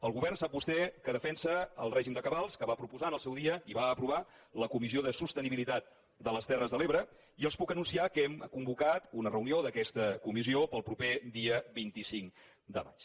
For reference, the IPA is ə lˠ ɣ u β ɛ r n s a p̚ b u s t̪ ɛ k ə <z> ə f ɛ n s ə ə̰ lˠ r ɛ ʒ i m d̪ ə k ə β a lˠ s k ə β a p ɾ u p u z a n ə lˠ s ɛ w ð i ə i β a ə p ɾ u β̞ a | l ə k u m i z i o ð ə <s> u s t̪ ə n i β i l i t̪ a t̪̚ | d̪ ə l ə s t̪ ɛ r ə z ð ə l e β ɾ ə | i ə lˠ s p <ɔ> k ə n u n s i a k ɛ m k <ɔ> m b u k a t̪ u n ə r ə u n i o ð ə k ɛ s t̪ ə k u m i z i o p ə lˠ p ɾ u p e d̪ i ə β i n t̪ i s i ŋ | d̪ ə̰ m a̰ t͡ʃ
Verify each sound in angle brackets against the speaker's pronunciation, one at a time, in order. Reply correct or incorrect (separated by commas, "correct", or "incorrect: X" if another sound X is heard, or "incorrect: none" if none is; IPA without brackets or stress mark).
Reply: incorrect: ð, correct, incorrect: u, incorrect: u